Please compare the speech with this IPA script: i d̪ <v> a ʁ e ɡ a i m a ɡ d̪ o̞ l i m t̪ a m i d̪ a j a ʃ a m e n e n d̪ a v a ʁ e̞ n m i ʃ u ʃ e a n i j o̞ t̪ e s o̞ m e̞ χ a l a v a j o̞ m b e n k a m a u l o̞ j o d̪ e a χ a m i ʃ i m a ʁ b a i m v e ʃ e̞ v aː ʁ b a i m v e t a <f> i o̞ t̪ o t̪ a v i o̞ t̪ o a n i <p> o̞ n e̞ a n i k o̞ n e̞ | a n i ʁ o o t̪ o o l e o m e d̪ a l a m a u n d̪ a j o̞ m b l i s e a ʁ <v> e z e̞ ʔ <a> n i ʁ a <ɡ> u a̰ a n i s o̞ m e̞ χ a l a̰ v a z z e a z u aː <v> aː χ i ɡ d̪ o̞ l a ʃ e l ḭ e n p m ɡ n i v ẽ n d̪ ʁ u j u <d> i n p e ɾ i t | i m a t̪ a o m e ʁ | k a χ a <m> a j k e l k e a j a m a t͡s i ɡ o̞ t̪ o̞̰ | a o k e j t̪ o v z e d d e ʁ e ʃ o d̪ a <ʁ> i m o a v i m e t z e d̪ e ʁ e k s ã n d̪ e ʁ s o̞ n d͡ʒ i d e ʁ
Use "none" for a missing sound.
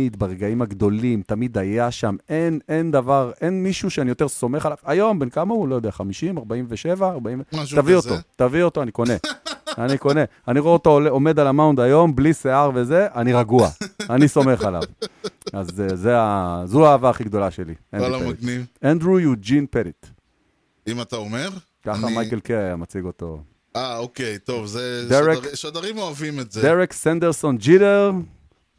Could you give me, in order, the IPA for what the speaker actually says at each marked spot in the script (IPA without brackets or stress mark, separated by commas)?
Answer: b, v, k, v, a, ɡ, v, d͡ʒ, m, ʁ